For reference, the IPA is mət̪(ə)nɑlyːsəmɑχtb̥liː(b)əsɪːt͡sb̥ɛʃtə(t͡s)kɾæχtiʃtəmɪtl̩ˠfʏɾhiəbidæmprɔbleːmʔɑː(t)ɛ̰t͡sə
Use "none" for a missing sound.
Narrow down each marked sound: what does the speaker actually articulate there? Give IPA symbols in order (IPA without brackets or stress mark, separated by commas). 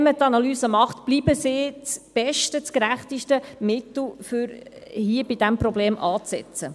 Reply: ɑ, b, t͡s, t͡s